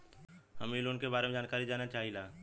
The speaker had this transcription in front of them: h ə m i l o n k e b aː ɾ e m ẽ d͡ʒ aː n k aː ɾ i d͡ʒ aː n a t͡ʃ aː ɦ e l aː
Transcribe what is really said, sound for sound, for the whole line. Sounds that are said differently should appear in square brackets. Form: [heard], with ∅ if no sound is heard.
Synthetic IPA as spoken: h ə m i l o n k e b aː ɾ e m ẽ d͡ʒ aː n k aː ɾ i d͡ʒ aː n a t͡ʃ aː ɦ [i] l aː